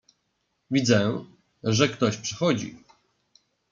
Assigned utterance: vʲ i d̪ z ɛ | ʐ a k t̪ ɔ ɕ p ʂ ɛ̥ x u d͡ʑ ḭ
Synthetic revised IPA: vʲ i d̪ z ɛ | ʐ ɛ k t̪ ɔ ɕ p ʂ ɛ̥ x ɔ d͡ʑ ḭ